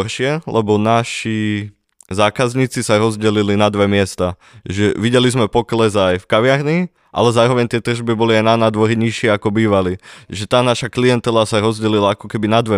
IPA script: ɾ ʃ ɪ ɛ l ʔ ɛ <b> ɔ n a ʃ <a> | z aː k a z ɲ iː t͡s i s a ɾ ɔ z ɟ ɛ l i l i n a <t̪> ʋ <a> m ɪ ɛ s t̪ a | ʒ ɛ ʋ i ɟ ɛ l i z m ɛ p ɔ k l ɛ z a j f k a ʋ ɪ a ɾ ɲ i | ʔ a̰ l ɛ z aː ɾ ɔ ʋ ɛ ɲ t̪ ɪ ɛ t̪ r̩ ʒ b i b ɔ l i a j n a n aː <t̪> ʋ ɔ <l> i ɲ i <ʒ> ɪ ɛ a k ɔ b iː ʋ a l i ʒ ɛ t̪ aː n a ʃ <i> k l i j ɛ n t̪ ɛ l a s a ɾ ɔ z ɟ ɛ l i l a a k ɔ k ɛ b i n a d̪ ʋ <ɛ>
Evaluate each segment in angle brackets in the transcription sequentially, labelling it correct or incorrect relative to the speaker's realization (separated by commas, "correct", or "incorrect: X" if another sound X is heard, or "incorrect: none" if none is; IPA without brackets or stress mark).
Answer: correct, incorrect: i, incorrect: d̪, incorrect: ɛ, incorrect: d̪, incorrect: ɾ, incorrect: ʃ, incorrect: a, correct